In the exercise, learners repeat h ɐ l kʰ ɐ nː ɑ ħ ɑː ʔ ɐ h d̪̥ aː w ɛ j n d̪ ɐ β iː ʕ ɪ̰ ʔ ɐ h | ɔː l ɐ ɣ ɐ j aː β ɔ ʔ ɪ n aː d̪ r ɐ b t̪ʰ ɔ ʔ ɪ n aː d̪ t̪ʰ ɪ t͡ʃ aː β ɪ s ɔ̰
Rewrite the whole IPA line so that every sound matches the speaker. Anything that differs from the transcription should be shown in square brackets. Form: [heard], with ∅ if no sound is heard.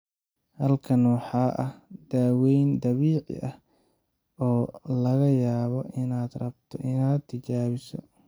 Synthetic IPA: h ɐ l kʰ ɐ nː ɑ ħ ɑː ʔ ɐ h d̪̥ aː w ɛ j n d̪ ɐ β iː ʕ ɪ̰ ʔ ɐ h | ɔː l ɐ ɣ ɐ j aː β ɔ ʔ ɪ n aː d̪ r ɐ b t̪ʰ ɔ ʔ ɪ n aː d̪ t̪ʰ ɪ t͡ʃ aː β ɪ s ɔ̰

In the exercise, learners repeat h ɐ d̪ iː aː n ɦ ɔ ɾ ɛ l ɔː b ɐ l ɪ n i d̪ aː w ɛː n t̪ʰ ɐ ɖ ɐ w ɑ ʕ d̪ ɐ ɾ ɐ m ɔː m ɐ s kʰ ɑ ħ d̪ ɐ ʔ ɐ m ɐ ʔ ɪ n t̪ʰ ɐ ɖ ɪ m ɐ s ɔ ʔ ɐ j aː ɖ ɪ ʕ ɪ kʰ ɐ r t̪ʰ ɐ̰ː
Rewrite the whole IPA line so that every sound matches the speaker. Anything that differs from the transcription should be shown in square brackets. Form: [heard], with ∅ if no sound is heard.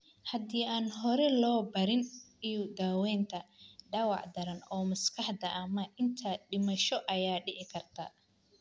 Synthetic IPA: h ɐ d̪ iː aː n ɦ ɔ ɾ ɛ l ɔː b ɐ [ɾ] ɪ n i d̪ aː w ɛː n t̪ʰ ɐ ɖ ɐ w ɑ ʕ d̪ ɐ ɾ ɐ [n] ɔː m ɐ s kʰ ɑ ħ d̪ ɐ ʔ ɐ m ɐ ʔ ɪ n t̪ʰ ɐ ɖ ɪ m ɐ [ʃ] ɔ ʔ ɐ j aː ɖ ɪ ʕ ɪ kʰ ɐ r t̪ʰ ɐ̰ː

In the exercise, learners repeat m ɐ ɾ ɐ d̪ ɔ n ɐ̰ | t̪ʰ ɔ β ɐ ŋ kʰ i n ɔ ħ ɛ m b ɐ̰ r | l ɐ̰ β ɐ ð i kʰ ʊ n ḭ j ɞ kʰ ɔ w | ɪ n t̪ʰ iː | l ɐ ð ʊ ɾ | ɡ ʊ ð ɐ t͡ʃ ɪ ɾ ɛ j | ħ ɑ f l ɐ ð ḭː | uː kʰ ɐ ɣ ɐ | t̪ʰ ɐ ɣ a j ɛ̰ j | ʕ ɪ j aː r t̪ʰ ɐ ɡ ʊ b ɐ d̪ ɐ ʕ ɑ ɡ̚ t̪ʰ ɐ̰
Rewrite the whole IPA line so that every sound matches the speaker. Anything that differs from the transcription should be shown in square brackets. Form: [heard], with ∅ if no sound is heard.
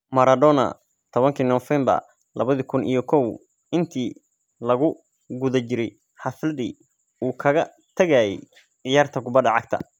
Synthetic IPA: m ɐ ɾ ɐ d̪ ɔ n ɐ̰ | t̪ʰ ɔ β ɐ ŋ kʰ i n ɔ [f] ɛ m b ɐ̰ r | l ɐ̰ β ɐ ð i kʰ ʊ n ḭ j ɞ kʰ ɔ w | ɪ n t̪ʰ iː | l ɐ [ɣ] ʊ [∅] | ɡ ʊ ð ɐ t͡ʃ ɪ ɾ ɛ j | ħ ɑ f l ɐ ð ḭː | uː kʰ ɐ ɣ ɐ | t̪ʰ ɐ ɣ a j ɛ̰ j | ʕ ɪ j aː r t̪ʰ ɐ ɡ ʊ b ɐ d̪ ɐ ʕ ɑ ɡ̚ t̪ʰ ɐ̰

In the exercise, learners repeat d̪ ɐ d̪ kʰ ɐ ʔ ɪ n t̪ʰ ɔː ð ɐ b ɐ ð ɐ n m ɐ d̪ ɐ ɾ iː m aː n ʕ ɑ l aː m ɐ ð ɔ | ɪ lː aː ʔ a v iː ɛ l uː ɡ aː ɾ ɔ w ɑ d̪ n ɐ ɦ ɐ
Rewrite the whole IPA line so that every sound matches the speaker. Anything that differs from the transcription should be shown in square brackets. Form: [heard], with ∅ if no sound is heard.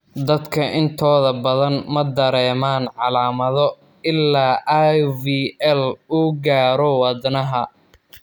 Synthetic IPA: d̪ ɐ d̪ kʰ ɐ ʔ ɪ n t̪ʰ ɔː ð ɐ b ɐ ð ɐ n m ɐ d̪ ɐ ɾ [ɛː] m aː n ʕ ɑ l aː m ɐ ð ɔ | ɪ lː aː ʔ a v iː ɛ l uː ɡ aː ɾ ɔ w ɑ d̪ n ɐ ɦ ɐ

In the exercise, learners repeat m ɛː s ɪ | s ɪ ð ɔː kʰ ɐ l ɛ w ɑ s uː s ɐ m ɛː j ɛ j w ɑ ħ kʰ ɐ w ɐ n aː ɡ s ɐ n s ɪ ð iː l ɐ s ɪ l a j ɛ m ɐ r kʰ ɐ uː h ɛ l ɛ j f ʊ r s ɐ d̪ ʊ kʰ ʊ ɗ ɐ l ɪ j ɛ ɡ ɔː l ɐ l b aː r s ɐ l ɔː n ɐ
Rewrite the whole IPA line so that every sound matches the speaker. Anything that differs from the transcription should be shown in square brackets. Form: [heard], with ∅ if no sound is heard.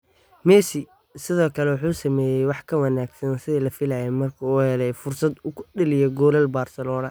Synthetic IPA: m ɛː s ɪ | s ɪ ð ɔː kʰ ɐ l ɛ w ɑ [ħ] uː s ɐ m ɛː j ɛ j w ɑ ħ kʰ ɐ w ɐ n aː ɡ s ɐ n s ɪ ð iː l ɐ [f] ɪ l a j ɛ m ɐ r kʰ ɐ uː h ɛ l ɛ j f ʊ r s ɐ d̪ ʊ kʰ ʊ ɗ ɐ l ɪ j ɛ ɡ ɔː l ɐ l b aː r s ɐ l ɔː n ɐ

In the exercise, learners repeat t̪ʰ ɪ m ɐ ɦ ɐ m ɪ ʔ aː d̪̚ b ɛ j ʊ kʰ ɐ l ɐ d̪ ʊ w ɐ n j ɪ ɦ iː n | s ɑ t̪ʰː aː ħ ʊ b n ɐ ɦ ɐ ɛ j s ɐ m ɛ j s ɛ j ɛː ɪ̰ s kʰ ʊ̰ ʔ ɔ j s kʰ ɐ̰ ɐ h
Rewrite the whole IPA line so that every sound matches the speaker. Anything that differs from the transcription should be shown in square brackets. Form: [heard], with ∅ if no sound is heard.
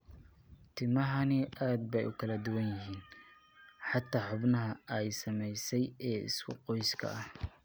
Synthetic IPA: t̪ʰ ɪ m ɐ ɦ ɐ [n] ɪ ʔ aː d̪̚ b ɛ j ʊ kʰ ɐ l ɐ d̪ ʊ w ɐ n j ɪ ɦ iː n | [ħ] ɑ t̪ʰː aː ħ ʊ b n ɐ ɦ ɐ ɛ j s ɐ m ɛ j s ɛ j ɛː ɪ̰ s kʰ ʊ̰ [q] ɔ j s kʰ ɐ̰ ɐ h

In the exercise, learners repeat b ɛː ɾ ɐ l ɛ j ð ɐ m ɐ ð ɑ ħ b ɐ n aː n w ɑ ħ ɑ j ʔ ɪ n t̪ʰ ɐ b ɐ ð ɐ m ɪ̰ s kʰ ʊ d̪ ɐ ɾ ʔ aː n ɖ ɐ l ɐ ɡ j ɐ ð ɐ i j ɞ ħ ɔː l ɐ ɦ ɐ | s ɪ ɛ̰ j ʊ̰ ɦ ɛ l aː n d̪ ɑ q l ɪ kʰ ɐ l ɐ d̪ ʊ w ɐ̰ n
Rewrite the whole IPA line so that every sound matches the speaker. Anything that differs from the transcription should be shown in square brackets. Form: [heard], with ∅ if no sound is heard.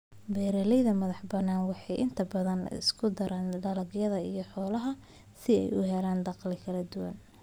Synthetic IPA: b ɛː ɾ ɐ l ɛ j ð ɐ m ɐ ð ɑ ħ b ɐ n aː n w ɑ ħ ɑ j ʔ ɪ n t̪ʰ ɐ b ɐ ð ɐ [n] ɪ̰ s kʰ ʊ d̪ ɐ ɾ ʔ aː n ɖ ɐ l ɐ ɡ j ɐ ð ɐ i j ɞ ħ ɔː l ɐ ɦ ɐ | s ɪ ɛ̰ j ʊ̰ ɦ ɛ l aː n d̪ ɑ q l ɪ kʰ ɐ l ɐ d̪ ʊ w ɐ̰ n

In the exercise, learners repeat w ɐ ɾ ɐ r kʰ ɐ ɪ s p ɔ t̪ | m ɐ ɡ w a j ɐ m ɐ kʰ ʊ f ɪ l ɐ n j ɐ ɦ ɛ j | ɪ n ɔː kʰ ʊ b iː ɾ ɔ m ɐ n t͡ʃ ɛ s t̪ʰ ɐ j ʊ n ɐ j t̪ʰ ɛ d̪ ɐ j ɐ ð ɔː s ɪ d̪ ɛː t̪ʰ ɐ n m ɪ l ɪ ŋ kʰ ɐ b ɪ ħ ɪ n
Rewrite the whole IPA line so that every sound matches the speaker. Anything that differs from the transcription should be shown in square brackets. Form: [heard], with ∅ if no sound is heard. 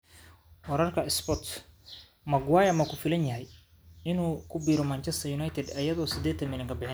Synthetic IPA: w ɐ ɾ ɐ r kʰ ɐ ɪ s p ɔ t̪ | m ɐ ɡ w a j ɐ m ɐ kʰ ʊ f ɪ l ɐ n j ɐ ɦ ɛ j | ɪ n [uː] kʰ ʊ b iː ɾ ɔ m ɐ n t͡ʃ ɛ s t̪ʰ ɐ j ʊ n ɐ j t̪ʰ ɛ d̪ ɐ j ɐ ð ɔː s ɪ d̪ ɛː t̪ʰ ɐ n m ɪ l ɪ ŋ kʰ ɐ b ɪ ħ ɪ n

